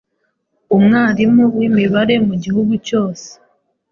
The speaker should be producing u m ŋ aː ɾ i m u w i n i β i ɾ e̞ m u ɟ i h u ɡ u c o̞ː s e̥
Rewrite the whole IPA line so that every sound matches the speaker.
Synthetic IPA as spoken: u m ŋ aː ɾ i m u w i m i β a ɾ e̞ m u ɟ i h u ɡ u c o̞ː s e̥